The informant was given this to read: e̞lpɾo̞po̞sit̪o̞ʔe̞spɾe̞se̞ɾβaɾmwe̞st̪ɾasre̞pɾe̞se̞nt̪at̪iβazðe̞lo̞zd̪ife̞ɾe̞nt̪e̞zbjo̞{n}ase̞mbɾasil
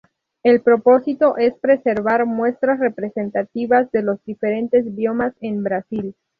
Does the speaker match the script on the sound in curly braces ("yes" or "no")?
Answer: no